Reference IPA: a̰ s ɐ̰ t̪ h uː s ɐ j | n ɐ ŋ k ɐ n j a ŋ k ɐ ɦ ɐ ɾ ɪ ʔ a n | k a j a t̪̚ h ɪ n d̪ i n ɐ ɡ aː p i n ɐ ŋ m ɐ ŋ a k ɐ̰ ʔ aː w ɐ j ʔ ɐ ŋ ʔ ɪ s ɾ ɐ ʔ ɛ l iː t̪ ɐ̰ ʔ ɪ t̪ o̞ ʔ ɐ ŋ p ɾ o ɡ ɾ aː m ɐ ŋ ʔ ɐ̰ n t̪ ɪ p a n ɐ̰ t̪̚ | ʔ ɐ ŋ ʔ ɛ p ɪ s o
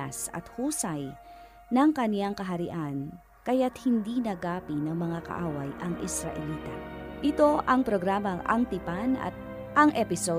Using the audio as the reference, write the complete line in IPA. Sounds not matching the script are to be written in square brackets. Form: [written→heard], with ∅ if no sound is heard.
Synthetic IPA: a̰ s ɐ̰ t̪ h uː s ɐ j | n ɐ ŋ k ɐ n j a ŋ k ɐ ɦ ɐ ɾ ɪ ʔ a n | k [a→ɐ] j a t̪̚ h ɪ n d̪ i n ɐ ɡ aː p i n ɐ ŋ m ɐ ŋ a k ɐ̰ ʔ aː w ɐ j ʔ ɐ ŋ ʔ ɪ s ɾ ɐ ʔ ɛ l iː t̪ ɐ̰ ʔ ɪ t̪ o̞ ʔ ɐ ŋ p ɾ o ɡ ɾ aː m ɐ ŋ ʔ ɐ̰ [n→ŋ] t̪ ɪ p a n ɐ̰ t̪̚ | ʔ ɐ ŋ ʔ ɛ p ɪ s o